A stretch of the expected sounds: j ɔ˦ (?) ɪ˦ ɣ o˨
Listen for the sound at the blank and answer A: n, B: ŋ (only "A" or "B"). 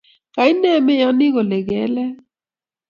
A